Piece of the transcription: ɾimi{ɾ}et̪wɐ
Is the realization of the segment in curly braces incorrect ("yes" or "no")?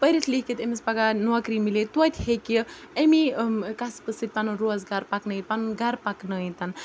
yes